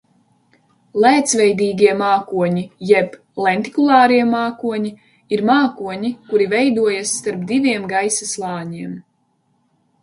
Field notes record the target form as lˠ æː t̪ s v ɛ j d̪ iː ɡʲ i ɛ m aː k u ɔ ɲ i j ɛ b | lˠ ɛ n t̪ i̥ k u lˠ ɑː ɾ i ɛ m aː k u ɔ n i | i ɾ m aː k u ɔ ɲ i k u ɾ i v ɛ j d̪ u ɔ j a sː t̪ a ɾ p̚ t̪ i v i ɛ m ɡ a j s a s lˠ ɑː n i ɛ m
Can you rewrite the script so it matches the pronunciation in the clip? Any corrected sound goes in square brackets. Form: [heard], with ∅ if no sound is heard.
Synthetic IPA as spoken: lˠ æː t̪ s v ɛ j d̪ iː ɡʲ i ɛ m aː k u ɔ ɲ i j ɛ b | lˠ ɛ n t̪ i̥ k u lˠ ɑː ɾ i ɛ m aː k u ɔ [ɲ] i | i ɾ m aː k u ɔ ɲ i k u ɾ i v ɛ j d̪ u ɔ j a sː t̪ a ɾ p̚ [d̪] i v i ɛ m ɡ a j s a s lˠ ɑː [ɲ] i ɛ m